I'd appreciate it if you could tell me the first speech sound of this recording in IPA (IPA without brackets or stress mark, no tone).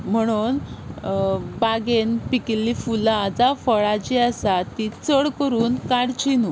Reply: m̤